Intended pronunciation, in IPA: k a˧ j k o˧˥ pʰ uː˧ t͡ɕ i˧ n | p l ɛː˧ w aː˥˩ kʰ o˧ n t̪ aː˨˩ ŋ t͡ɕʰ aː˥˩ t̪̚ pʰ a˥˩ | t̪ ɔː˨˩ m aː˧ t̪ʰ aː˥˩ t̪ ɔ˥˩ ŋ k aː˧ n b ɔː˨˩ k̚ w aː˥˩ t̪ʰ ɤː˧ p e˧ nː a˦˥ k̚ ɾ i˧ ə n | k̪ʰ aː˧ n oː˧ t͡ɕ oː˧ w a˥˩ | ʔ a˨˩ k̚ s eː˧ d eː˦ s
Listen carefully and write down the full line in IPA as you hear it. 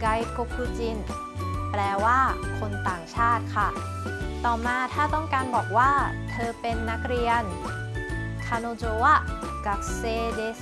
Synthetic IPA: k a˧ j k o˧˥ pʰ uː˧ t͡ɕ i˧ n | p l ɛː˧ w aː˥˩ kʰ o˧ n t̪ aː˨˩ ŋ t͡ɕʰ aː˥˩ t̪̚ kʰ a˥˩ | t̪ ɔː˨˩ m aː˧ t̪ʰ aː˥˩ t̪ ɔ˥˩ ŋ k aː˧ n b ɔː˨˩ k̚ w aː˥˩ t̪ʰ ɤː˧ p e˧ nː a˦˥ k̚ ɾ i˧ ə n | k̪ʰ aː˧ n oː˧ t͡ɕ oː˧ w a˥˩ | k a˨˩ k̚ s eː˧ d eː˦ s